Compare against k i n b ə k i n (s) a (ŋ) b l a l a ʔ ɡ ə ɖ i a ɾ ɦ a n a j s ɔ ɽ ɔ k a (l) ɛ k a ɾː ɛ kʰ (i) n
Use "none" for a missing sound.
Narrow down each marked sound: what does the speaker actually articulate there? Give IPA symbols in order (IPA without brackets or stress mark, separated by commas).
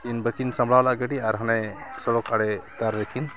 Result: s, m, ɽ, i